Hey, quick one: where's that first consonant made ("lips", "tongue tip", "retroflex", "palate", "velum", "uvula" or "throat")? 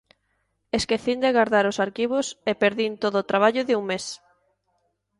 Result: tongue tip